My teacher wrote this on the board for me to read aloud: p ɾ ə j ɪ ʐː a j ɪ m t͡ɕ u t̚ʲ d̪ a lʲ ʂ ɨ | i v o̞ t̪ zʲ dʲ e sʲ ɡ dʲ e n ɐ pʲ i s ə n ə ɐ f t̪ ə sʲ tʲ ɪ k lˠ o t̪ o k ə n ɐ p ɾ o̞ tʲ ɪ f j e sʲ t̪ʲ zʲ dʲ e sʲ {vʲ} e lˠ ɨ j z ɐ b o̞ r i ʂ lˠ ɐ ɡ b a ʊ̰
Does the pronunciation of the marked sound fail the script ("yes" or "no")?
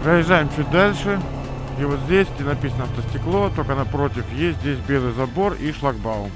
yes